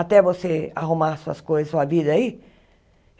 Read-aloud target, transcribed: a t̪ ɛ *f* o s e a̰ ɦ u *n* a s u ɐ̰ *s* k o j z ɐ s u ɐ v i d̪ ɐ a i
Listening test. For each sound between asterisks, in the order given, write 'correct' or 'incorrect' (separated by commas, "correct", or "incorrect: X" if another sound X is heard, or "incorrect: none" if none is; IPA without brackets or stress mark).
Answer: incorrect: v, incorrect: m, correct